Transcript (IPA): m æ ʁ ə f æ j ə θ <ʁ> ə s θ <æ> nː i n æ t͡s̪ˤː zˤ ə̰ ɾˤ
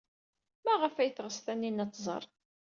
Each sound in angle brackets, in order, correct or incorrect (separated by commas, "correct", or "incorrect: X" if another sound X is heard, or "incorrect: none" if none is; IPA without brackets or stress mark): correct, correct